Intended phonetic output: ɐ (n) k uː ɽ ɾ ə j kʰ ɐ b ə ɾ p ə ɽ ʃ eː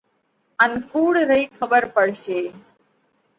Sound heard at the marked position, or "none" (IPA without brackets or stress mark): n